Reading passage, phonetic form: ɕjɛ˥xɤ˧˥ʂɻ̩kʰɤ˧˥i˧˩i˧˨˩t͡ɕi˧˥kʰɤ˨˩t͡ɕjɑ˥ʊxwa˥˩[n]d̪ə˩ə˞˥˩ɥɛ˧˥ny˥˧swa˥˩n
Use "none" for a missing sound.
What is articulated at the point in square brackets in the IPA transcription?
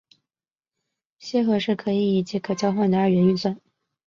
n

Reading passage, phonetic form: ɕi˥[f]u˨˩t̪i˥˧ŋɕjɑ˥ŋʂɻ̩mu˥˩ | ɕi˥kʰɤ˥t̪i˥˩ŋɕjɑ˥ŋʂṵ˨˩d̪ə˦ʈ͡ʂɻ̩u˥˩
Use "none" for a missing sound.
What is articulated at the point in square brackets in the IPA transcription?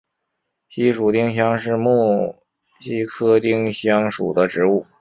ʂ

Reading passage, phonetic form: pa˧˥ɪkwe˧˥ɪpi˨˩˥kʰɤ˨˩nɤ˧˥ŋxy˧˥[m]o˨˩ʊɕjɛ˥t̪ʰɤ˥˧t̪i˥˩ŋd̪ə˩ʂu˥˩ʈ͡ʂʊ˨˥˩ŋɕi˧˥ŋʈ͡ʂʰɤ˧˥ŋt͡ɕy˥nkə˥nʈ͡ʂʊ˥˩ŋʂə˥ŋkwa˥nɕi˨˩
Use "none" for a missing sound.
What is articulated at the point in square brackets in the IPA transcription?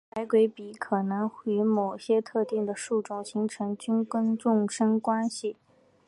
m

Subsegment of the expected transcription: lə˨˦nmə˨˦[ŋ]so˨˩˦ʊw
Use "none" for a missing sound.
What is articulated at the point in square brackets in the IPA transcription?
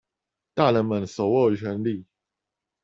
n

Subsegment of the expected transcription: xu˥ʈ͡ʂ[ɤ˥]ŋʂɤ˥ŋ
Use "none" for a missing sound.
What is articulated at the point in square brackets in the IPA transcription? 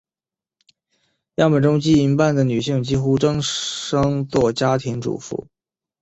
ɤ˥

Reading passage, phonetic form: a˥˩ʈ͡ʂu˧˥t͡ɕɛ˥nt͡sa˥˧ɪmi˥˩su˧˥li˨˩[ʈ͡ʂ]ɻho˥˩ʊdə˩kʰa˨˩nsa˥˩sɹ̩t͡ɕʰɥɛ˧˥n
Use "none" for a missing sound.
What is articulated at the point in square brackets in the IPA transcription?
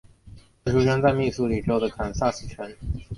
ʈ͡ʂ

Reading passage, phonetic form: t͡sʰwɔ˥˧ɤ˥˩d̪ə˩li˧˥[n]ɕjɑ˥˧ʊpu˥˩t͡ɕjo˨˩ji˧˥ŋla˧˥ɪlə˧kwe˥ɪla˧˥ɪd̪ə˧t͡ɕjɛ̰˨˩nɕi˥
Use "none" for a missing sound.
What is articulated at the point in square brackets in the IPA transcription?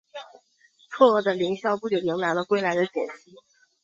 ŋ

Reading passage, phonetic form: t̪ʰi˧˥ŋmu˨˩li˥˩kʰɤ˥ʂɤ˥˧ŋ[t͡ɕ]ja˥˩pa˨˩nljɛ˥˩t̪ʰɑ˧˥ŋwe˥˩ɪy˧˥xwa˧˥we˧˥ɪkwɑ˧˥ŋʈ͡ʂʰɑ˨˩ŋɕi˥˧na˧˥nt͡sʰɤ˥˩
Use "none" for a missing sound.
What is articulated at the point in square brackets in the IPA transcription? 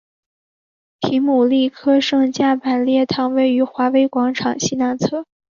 t͡ɕ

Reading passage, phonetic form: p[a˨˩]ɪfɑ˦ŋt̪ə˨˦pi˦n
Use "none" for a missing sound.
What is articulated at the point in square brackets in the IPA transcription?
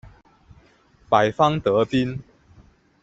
a˨˩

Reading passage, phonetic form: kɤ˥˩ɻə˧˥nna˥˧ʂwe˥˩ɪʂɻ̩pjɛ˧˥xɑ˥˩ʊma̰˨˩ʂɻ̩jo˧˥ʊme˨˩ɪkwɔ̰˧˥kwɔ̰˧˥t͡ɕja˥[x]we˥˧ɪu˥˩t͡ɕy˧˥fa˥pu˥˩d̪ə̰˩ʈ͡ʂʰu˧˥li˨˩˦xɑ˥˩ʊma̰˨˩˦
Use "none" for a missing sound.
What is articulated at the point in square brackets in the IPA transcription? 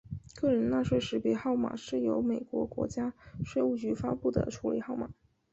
ʂ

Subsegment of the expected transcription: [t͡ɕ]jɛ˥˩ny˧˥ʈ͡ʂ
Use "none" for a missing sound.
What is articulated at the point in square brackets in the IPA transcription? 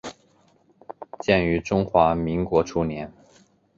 t͡ɕ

